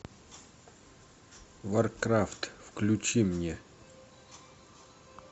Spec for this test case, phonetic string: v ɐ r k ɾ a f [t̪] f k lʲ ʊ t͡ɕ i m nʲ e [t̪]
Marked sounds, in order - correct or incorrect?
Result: correct, incorrect: none

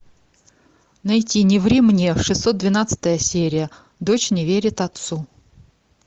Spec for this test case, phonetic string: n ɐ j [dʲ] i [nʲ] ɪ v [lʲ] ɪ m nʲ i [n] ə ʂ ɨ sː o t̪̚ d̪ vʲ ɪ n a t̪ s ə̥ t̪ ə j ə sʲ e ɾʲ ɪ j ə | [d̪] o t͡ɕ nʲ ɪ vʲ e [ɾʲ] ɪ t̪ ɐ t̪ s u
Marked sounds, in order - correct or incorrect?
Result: incorrect: tʲ, correct, incorrect: ɾʲ, incorrect: none, correct, correct

